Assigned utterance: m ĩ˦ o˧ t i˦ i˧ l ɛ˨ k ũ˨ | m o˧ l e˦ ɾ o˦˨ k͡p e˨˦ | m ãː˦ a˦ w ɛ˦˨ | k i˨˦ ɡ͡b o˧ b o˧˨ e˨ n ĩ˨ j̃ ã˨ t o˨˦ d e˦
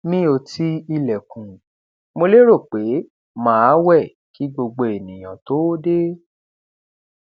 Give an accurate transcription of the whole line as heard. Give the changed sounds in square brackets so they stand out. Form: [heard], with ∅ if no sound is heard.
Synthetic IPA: m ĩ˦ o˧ t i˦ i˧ l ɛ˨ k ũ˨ | m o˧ l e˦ ɾ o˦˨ k͡p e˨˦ | m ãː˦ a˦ w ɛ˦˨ | k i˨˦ ɡ͡b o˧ [ɡ͡b] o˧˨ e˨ n ĩ˨ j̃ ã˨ t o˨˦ d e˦